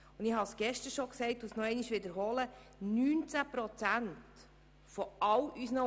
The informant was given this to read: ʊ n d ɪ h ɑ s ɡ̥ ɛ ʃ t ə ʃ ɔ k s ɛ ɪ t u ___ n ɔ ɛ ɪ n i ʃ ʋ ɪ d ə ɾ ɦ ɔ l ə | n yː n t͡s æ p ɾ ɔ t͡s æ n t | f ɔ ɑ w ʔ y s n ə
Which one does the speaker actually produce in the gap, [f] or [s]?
s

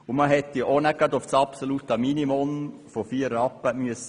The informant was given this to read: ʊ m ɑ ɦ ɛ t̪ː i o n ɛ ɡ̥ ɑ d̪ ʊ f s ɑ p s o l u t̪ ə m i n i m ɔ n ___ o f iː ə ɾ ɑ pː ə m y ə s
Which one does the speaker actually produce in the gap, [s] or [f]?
f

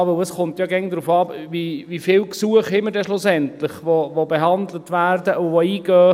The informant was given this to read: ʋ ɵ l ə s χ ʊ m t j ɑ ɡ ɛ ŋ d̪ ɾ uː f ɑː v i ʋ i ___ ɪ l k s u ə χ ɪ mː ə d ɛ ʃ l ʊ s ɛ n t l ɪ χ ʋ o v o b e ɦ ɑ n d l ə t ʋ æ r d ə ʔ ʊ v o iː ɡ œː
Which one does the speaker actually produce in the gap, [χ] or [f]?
f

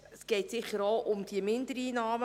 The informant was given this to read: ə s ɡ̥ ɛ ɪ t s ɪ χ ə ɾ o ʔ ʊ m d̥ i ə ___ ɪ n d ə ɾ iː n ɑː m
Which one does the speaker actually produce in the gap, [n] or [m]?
m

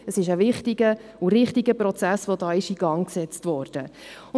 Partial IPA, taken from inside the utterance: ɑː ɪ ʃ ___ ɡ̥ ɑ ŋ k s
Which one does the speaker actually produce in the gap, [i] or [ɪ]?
i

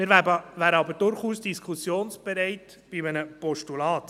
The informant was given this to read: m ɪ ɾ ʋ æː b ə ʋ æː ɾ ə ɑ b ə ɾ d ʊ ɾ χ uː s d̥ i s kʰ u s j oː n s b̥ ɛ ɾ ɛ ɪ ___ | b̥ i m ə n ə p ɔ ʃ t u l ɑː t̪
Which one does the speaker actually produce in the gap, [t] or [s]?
t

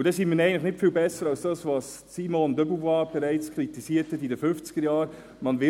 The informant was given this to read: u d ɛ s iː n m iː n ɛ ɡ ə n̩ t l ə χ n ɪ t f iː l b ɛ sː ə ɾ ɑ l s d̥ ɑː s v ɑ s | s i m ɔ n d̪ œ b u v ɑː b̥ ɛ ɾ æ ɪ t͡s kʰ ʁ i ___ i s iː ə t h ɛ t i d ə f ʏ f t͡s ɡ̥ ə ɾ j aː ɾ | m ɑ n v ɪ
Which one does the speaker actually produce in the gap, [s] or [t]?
t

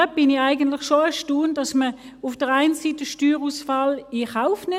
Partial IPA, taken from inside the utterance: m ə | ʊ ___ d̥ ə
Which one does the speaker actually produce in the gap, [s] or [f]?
f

